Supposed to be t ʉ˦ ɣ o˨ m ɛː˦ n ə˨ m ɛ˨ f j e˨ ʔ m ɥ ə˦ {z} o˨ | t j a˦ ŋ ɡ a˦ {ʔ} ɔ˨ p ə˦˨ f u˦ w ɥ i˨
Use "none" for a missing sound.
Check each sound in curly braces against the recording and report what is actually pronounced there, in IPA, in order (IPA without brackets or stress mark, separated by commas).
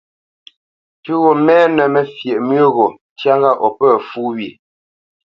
ɣ, ʔ